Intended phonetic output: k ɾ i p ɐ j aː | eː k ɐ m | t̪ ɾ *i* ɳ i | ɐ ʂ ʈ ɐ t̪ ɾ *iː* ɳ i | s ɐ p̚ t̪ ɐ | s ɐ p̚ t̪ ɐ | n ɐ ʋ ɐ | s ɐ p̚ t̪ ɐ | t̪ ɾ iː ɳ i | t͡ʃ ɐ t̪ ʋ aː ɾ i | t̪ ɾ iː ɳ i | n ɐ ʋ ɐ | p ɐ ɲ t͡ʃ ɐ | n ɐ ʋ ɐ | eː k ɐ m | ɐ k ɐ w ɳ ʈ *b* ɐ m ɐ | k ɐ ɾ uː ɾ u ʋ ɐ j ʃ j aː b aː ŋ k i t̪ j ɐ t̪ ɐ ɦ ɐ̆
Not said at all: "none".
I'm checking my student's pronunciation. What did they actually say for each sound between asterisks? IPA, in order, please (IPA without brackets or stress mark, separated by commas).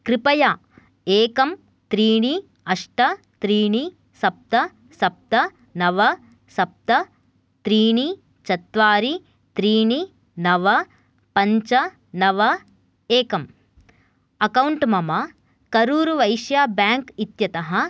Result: iː, iː, m